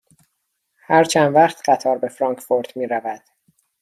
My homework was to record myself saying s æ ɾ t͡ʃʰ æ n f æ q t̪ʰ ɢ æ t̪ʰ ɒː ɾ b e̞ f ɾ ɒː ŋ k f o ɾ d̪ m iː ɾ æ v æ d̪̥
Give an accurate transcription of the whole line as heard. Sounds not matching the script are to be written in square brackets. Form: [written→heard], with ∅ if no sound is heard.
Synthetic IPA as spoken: [s→h] æ ɾ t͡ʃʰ æ n [f→v] æ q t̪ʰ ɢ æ t̪ʰ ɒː ɾ b e̞ f ɾ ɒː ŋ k f o ɾ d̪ m iː ɾ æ v æ d̪̥